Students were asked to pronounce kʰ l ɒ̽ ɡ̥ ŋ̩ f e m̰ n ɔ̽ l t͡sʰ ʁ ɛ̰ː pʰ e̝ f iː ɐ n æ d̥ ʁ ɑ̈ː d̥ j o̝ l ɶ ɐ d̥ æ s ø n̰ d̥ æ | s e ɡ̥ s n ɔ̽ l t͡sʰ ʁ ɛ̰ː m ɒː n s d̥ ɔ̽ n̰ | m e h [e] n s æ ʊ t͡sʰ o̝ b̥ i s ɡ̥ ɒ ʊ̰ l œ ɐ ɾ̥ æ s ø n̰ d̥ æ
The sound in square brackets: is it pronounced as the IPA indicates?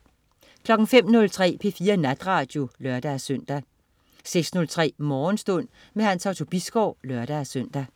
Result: no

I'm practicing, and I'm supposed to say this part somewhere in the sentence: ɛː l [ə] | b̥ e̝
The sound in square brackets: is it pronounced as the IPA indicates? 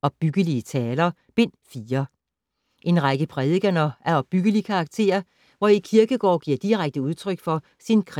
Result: no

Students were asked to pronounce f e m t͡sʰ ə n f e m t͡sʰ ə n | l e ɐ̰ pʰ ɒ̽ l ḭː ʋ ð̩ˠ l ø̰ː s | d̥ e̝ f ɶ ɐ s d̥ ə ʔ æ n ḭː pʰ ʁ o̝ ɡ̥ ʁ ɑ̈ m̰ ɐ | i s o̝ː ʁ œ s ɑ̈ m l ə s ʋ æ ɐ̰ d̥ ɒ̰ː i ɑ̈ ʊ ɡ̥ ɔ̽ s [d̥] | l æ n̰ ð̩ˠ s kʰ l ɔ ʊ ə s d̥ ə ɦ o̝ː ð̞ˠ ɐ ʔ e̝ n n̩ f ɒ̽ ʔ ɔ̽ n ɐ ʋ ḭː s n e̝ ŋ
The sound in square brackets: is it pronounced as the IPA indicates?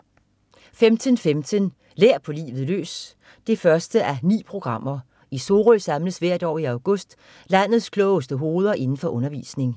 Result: yes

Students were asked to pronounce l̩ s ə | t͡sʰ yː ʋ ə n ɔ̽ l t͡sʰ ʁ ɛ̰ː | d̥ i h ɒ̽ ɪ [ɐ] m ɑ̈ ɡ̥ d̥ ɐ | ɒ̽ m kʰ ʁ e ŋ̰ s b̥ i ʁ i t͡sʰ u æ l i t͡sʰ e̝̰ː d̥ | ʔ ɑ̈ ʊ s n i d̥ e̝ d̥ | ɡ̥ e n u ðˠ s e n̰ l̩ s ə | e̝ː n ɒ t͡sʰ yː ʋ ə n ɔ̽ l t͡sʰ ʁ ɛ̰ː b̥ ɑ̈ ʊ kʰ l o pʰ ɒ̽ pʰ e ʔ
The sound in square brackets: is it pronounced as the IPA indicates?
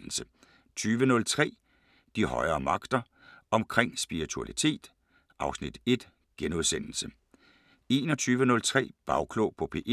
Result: no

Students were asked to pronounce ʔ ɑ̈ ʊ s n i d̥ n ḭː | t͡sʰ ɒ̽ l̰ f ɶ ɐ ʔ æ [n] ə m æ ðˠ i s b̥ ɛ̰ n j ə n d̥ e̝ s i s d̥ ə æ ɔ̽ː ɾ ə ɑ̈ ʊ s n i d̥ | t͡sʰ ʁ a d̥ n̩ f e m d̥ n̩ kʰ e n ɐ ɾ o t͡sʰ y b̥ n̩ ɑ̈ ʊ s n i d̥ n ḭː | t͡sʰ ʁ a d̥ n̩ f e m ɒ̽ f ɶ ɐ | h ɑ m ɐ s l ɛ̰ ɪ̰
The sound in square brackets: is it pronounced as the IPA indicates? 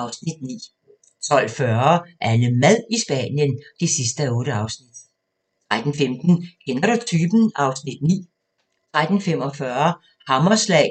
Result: yes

